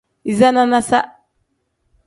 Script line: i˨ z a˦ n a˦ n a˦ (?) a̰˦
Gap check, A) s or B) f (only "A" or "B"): A